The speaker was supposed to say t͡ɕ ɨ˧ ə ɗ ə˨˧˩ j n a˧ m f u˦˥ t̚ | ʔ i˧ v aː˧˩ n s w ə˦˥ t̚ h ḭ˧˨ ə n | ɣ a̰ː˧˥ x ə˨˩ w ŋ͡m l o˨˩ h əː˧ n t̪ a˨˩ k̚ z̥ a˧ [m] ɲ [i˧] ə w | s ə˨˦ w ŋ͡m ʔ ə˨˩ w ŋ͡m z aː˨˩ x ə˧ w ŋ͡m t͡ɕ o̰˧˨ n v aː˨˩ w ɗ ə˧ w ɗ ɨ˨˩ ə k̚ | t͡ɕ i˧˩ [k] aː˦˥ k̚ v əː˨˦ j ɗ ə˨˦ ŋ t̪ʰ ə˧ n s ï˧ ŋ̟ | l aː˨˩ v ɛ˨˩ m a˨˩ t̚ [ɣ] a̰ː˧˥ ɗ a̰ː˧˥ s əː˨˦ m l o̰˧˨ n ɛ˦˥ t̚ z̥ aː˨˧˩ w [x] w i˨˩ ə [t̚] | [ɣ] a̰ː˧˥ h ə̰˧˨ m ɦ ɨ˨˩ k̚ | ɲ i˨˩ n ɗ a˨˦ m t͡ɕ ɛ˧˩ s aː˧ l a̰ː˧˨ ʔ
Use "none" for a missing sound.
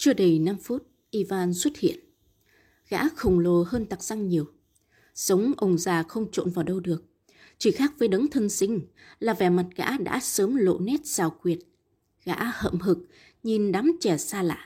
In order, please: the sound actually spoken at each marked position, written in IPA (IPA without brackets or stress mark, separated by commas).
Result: ŋ, i˨˩, x, ɣ, k, t̚, ɣ